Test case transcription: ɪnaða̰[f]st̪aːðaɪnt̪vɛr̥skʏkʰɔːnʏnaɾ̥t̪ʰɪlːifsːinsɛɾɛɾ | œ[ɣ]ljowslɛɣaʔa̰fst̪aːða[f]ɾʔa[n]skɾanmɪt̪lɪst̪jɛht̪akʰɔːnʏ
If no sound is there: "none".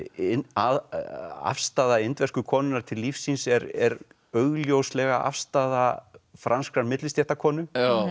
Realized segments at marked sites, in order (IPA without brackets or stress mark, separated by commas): f, ɣ, f, n